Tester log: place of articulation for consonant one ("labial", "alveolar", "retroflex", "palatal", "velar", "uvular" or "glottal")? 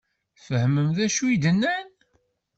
labial